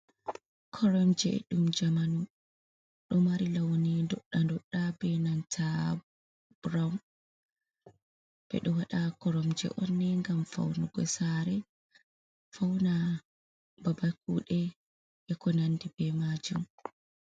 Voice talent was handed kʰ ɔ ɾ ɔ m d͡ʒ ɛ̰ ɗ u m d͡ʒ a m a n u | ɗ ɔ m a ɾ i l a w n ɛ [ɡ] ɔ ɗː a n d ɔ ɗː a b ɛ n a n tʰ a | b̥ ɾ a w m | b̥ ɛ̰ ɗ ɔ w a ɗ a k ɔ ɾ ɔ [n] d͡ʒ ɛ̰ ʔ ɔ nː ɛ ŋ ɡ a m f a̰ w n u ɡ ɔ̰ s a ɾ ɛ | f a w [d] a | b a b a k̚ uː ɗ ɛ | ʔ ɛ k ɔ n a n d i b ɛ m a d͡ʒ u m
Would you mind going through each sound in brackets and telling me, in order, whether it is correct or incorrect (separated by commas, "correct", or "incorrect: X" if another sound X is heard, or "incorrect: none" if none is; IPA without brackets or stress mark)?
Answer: incorrect: d, incorrect: m, incorrect: n